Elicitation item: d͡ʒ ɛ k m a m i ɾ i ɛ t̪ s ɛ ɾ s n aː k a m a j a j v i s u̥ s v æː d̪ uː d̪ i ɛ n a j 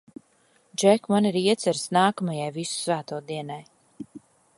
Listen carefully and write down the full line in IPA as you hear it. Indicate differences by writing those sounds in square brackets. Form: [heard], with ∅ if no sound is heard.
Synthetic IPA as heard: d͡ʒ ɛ k m a [n] i ɾ i ɛ t̪ s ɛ ɾ s n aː k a m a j a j v i s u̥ s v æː [t̪] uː d̪ i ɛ n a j